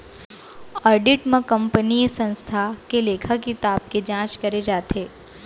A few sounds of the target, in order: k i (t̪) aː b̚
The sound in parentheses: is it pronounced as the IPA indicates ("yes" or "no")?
yes